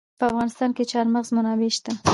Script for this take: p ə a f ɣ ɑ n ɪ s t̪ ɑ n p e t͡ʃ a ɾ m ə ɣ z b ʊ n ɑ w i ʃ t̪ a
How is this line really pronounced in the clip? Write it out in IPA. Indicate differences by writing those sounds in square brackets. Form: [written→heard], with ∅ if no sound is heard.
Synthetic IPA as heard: p ə a f ɣ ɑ n ɪ s t̪ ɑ n [p→k] e t͡ʃ [a→ɑ] ɾ m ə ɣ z [b→m] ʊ n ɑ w [i→e] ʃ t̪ a